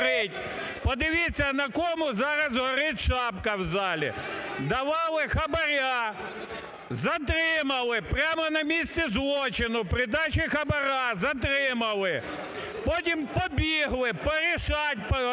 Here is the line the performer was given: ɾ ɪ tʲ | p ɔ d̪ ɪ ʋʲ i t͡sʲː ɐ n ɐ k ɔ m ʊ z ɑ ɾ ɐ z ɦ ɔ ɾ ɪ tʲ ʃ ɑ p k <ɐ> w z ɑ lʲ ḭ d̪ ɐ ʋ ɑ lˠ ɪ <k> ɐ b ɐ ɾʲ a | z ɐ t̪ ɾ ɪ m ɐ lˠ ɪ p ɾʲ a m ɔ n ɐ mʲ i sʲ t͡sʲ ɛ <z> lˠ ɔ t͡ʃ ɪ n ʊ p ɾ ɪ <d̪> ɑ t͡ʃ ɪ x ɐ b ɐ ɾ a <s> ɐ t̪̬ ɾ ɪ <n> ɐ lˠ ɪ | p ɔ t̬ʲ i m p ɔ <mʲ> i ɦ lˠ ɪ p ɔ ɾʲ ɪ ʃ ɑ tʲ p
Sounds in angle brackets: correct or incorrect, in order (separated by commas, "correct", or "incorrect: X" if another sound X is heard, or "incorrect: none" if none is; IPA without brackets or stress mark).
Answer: correct, incorrect: x, correct, correct, incorrect: z, incorrect: m, incorrect: bʲ